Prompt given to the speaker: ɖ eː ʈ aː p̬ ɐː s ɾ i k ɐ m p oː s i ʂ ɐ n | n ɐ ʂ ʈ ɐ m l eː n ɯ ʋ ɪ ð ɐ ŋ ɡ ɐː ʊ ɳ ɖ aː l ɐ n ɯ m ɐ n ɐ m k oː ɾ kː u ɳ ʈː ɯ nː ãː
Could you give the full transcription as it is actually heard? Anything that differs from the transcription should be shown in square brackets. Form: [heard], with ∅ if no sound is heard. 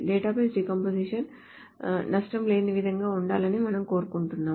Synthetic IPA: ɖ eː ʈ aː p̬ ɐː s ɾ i k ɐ m p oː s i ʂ ɐ n | n ɐ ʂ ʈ ɐ m l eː n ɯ ʋ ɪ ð ɐ ŋ ɡ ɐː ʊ ɳ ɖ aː l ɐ n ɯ m ɐ n ɐ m k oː ɾ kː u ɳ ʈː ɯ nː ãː